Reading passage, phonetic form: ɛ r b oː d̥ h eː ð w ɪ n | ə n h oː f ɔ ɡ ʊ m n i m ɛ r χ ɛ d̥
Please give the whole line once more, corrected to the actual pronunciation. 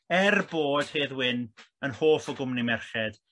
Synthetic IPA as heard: ɛ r b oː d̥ h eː ð w ɪ n | ə n h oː f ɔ ɡ ʊ m n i m ɛ r χ ɛ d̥